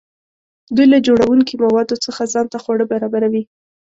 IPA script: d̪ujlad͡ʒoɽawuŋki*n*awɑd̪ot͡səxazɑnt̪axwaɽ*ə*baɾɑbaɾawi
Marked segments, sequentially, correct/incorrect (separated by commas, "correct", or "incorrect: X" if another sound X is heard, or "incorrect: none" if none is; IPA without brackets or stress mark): incorrect: m, correct